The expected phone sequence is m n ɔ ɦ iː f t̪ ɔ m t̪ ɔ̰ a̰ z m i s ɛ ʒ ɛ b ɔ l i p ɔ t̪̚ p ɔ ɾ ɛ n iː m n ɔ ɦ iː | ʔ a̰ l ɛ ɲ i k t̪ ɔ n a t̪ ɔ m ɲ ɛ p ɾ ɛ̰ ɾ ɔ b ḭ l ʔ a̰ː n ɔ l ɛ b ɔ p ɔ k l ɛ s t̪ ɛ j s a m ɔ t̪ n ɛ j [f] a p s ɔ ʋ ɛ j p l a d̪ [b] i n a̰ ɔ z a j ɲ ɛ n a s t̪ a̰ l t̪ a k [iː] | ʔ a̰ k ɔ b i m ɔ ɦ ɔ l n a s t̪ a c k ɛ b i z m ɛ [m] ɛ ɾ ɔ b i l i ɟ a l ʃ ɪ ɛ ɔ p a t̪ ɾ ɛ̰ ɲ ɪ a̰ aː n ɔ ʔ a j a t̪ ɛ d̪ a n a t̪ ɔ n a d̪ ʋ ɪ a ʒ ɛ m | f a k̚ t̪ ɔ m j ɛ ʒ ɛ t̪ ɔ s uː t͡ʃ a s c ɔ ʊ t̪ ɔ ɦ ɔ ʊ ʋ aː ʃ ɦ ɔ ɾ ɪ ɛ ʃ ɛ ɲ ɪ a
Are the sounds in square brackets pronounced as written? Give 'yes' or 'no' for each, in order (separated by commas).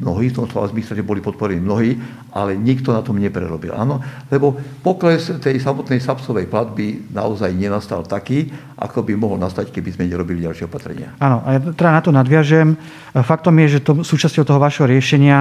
no, yes, yes, no